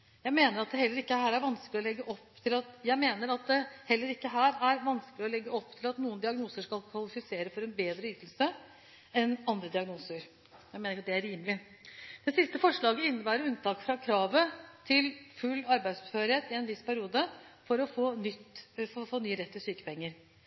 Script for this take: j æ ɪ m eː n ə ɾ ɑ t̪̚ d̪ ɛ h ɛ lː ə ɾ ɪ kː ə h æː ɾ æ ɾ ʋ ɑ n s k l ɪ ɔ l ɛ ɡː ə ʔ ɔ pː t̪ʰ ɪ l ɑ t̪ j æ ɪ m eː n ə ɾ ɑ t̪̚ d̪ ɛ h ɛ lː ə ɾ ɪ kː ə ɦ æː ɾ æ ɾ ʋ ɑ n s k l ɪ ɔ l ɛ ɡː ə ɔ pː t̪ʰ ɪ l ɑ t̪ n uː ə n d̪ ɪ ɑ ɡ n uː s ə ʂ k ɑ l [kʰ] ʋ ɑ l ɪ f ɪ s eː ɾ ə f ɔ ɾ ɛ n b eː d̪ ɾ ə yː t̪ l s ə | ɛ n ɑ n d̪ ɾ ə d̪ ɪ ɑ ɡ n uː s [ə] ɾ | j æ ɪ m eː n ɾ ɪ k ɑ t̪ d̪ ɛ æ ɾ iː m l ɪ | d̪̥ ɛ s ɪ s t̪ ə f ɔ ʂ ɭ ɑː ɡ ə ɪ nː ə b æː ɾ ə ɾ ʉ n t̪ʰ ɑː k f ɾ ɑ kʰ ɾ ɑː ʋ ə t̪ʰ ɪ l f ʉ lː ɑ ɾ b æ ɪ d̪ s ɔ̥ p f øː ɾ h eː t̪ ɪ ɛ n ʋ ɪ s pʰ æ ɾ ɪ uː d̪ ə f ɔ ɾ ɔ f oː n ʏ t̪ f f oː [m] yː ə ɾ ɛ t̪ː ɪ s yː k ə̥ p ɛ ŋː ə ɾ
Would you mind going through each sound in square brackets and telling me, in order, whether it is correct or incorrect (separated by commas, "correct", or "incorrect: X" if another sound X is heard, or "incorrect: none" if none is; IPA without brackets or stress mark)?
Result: correct, correct, incorrect: n